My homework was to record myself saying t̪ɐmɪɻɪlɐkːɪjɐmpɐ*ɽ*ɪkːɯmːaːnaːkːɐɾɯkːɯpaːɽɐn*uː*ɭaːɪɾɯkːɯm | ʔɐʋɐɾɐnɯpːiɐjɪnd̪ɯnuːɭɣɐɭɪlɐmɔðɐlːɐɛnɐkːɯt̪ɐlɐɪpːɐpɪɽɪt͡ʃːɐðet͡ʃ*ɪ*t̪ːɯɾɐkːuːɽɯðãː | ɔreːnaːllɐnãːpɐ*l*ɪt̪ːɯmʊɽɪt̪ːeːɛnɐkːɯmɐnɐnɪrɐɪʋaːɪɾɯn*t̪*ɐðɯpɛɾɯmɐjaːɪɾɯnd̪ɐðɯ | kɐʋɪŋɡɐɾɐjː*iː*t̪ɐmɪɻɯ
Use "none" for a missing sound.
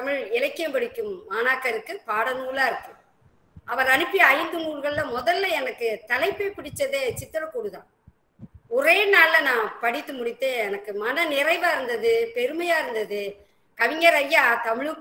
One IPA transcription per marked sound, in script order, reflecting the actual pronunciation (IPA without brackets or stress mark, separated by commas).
ɽ, uː, ɪ, ɽ, d̪, aː